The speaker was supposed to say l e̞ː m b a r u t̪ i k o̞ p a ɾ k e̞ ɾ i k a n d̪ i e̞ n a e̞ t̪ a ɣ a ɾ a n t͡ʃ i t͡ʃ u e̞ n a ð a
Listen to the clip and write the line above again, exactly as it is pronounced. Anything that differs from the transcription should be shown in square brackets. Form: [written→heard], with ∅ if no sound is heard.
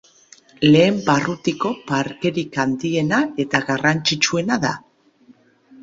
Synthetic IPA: l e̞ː m b a r u t̪ i k o̞ p a ɾ k e̞ ɾ i k a n d̪ i e̞ n a e̞ t̪ a ɣ a [ɾ→r] a n t͡ʃ i t͡ʃ u e̞ n a ð a